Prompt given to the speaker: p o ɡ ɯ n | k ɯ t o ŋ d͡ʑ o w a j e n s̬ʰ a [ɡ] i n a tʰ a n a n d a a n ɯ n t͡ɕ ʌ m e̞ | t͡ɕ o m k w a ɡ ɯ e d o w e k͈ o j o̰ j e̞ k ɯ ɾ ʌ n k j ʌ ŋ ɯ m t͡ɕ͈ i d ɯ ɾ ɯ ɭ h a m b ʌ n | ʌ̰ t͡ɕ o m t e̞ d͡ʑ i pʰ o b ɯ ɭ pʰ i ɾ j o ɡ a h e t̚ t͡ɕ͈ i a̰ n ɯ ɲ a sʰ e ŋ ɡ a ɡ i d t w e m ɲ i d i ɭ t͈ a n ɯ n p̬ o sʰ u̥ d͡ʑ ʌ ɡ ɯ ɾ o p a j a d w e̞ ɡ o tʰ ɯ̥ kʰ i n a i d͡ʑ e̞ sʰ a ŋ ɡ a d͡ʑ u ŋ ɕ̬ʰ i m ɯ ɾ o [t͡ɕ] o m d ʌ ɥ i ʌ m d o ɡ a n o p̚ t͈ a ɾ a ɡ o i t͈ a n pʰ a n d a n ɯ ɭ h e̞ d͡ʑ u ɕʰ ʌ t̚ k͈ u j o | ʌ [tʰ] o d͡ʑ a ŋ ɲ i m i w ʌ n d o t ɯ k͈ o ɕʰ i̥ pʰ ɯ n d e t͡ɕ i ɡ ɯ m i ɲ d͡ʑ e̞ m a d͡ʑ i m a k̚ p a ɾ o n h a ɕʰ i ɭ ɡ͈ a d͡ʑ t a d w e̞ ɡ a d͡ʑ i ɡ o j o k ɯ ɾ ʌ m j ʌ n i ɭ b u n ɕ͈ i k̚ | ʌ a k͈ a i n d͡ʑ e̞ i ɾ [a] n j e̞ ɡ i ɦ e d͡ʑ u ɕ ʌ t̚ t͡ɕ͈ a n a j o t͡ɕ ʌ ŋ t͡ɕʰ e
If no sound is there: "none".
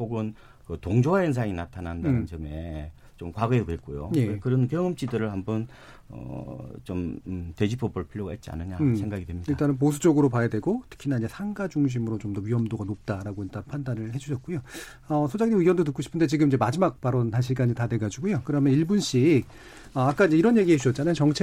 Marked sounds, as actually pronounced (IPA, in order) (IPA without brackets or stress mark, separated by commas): ŋ, t͡ɕ, sʰ, ʌ